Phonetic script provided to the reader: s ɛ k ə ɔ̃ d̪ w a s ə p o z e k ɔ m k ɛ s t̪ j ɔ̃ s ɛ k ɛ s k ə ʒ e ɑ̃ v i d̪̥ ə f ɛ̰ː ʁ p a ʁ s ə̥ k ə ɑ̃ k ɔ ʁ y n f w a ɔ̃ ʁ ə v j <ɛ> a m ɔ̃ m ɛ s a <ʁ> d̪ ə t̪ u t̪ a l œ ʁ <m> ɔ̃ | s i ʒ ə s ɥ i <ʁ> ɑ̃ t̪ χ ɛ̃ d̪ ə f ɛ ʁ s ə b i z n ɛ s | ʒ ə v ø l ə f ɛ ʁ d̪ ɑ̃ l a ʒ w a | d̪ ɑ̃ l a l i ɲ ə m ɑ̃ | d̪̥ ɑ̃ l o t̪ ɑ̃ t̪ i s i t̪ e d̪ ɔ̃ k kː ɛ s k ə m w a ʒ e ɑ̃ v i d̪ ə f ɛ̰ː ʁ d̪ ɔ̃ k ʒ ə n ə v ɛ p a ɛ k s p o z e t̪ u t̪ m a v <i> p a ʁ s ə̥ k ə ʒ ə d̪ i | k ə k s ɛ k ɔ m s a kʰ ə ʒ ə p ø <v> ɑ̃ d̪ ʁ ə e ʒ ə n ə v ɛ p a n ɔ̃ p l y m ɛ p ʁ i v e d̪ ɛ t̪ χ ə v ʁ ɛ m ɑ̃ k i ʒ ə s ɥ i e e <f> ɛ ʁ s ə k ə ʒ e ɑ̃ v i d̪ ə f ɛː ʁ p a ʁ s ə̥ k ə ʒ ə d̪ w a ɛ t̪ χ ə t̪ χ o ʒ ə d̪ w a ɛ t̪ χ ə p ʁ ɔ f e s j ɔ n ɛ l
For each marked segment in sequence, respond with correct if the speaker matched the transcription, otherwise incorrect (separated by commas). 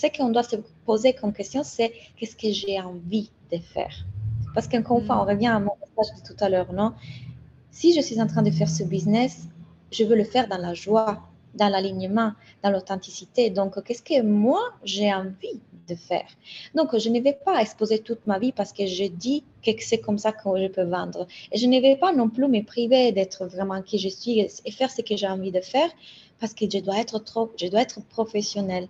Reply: incorrect, incorrect, incorrect, incorrect, correct, correct, correct